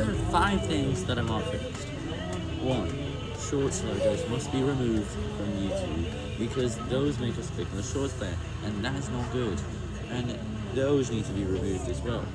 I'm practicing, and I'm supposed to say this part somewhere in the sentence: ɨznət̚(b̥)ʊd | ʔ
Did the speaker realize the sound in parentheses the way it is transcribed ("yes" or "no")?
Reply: no